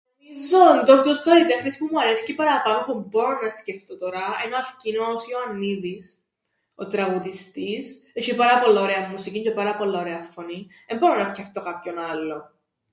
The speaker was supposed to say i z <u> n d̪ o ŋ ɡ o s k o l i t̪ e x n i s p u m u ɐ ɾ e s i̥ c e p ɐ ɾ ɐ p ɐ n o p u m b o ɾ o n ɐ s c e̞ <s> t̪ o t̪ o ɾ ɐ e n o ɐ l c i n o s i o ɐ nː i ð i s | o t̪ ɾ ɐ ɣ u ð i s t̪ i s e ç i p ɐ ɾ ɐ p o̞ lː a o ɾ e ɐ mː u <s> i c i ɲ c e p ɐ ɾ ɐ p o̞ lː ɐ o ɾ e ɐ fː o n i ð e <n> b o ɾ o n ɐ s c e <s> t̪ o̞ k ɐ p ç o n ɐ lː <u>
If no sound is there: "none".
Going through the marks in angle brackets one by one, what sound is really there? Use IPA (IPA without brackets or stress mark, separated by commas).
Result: o, f, s, m, f, o